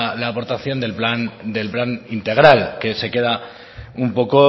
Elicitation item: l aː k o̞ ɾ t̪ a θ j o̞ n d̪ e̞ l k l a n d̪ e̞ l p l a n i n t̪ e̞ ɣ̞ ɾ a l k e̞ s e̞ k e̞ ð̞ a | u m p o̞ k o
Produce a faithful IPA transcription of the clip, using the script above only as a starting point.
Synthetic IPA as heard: l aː p o̞ ɾ t̪ a θ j o̞ n d̪ e̞ l p l a n d̪ e̞ l p l a n i n t̪ e̞ ɣ̞ ɾ a l k e̞ s e̞ k e̞ ð̞ a | u m p o̞ k o